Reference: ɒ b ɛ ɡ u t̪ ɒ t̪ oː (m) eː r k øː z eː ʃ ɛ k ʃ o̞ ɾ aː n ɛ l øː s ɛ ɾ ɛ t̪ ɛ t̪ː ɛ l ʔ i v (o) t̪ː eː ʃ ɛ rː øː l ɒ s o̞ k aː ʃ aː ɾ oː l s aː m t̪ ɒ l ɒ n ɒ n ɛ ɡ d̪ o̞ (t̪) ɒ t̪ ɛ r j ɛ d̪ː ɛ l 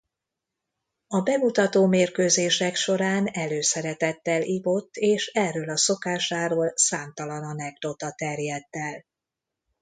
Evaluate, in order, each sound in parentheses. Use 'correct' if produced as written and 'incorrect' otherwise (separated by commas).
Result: correct, correct, correct